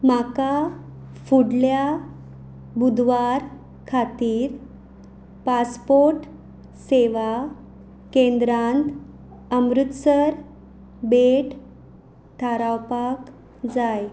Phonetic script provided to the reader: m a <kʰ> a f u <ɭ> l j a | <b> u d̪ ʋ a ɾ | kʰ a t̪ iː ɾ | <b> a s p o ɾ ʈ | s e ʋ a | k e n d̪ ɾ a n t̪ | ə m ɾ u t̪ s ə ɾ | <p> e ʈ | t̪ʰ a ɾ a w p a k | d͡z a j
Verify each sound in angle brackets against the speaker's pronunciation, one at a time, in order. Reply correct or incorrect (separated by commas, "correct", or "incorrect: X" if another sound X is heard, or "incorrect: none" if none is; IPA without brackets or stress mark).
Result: incorrect: k, incorrect: ɽ, correct, incorrect: p, incorrect: b